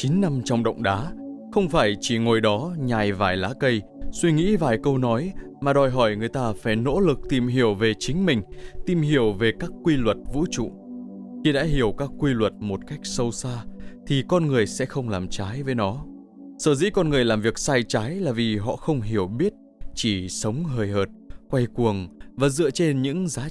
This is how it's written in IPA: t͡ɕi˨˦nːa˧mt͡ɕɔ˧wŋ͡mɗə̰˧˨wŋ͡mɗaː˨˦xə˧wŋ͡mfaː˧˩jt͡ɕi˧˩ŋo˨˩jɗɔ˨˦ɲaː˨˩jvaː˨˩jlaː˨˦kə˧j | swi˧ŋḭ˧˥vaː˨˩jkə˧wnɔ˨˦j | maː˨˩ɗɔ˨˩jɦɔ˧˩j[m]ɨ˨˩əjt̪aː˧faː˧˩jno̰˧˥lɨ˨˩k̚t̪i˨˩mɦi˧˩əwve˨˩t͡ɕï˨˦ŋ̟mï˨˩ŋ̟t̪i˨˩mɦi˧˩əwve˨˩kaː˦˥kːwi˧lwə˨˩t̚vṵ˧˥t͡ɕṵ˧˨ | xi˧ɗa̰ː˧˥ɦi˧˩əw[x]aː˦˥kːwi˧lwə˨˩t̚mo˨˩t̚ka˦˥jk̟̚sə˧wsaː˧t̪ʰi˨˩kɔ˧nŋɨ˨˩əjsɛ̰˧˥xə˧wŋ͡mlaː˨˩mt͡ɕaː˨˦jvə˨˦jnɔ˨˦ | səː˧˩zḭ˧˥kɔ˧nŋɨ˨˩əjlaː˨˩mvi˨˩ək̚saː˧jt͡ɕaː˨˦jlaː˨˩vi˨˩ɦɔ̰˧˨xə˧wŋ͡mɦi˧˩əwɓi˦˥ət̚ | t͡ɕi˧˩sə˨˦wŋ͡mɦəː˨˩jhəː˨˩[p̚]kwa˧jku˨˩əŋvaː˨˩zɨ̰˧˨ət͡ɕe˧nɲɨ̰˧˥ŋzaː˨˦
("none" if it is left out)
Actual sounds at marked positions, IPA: ŋ, k, t̚

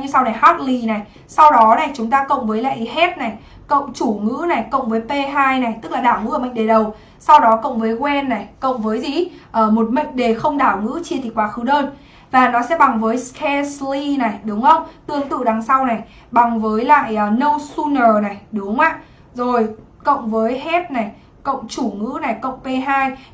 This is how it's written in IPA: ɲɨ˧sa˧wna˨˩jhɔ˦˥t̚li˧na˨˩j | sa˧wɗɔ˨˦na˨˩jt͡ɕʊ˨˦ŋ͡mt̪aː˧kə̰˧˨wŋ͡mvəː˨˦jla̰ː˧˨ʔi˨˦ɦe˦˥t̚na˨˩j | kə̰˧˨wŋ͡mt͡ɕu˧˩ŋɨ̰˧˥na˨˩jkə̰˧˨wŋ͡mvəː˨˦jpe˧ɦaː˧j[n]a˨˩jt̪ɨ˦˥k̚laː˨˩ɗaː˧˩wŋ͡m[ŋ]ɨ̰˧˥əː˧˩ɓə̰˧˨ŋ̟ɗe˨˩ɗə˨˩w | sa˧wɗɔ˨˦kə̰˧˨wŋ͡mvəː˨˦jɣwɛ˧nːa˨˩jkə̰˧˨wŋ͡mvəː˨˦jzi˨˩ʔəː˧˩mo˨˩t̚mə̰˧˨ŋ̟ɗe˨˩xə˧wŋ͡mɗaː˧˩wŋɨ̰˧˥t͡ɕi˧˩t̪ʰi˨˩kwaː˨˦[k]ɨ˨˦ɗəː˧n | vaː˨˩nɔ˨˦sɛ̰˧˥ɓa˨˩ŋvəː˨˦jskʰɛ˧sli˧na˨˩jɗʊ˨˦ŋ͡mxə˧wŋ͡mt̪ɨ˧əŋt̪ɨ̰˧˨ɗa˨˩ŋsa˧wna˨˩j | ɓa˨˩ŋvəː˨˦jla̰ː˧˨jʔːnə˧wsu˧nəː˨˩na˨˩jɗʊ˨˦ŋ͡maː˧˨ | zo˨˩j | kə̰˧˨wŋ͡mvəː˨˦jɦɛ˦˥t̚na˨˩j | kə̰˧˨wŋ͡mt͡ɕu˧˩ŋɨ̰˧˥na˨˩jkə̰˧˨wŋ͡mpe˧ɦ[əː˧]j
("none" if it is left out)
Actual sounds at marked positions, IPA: n, ŋ, x, aː˧

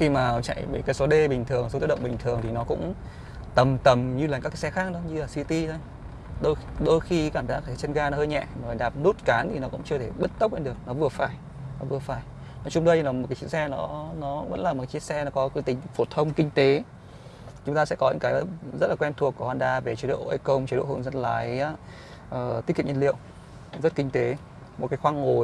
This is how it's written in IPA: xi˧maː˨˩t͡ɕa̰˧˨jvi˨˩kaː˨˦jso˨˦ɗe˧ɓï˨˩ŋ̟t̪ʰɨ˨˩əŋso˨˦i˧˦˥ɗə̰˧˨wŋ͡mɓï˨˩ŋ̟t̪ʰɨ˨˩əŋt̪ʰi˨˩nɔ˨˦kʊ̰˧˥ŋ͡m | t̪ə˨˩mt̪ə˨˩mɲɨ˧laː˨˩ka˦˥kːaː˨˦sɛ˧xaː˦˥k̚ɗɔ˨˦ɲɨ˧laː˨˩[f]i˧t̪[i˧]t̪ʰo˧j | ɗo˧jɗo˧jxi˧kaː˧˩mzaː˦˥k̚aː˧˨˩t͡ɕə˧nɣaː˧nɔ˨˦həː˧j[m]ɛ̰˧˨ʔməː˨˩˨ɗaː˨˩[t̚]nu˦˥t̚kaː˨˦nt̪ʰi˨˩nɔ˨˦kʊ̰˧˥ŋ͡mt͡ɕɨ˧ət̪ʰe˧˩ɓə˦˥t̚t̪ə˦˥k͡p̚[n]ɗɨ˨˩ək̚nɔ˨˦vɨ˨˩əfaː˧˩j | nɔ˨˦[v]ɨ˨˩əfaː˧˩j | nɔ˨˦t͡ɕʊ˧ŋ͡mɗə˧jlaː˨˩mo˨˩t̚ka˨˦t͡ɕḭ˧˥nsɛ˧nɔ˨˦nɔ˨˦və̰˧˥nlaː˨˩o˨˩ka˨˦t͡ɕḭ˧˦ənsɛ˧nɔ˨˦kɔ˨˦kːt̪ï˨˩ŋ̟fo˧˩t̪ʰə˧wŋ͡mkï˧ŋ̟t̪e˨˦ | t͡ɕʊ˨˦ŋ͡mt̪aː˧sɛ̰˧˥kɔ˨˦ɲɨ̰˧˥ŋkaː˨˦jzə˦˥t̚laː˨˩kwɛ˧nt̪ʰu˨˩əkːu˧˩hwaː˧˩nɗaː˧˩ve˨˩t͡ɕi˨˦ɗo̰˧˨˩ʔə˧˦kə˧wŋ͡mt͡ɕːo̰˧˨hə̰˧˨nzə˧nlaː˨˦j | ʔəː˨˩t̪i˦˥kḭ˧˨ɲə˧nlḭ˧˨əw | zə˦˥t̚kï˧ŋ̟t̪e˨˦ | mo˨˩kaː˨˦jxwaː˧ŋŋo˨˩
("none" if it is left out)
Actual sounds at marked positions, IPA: s, i˧, ɲ, p̚, n, v

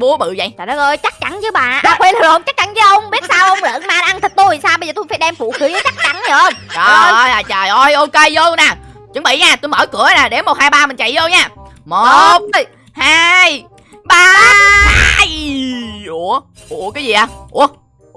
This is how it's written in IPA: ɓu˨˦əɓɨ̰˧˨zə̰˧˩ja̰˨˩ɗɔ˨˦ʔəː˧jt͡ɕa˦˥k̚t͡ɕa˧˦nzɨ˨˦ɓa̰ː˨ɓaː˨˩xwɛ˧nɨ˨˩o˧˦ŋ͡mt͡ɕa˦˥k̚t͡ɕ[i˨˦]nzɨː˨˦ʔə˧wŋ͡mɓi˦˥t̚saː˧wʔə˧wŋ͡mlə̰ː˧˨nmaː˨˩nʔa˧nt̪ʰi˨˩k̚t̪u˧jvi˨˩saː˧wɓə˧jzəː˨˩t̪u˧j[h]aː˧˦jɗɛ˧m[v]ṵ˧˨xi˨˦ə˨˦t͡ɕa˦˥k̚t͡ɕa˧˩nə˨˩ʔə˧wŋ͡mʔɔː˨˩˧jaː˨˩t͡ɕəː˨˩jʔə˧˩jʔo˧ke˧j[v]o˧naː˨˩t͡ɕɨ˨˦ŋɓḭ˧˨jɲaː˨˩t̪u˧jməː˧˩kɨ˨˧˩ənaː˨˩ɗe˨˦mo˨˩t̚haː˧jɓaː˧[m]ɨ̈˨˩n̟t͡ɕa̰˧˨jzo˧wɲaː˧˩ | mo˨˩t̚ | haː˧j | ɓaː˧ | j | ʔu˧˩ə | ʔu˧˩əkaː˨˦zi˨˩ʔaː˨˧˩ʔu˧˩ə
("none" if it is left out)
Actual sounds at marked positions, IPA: a˨˦, f, f, z, m

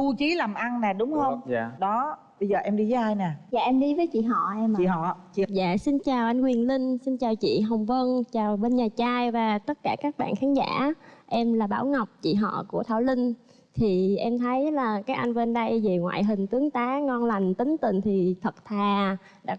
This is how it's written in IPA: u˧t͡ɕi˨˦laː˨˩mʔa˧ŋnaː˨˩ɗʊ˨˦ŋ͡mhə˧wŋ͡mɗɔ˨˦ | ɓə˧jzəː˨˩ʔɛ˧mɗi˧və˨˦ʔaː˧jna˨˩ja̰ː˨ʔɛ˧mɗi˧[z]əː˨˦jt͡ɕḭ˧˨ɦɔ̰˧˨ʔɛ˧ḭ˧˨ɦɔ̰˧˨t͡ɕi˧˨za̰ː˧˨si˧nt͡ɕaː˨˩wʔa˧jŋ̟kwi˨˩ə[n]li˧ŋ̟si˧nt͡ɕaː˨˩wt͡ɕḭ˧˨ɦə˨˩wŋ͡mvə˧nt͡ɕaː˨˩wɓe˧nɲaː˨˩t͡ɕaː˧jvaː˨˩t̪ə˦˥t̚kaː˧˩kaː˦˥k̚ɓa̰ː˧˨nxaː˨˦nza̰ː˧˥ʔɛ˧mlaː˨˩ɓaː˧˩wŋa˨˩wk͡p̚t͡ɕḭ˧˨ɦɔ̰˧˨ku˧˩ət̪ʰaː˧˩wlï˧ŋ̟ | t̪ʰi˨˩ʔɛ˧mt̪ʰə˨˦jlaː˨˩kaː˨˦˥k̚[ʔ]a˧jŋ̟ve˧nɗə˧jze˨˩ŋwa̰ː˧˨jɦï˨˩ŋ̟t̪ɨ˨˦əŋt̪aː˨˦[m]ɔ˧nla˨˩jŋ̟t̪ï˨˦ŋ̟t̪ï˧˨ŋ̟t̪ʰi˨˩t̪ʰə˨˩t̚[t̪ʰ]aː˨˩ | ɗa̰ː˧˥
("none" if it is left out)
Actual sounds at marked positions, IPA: v, n, ʔ, ŋ, t̪ʰ

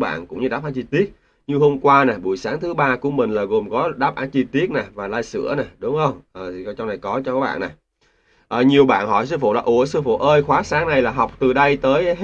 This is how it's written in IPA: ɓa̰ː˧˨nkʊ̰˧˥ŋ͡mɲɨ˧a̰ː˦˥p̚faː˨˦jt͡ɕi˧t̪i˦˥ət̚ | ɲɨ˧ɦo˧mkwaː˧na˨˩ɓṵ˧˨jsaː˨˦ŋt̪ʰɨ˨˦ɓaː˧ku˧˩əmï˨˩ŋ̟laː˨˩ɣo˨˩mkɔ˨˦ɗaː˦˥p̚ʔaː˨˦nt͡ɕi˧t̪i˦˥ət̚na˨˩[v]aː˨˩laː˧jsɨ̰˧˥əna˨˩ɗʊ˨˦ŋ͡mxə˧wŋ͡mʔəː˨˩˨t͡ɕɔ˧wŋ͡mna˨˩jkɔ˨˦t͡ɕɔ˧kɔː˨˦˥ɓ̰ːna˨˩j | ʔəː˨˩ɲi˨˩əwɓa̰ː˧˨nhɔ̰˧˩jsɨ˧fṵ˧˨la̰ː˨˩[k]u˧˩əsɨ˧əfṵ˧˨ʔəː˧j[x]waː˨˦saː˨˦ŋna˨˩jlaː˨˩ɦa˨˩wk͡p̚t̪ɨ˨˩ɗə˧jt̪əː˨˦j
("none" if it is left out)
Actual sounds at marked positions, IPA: v, ʔ, x

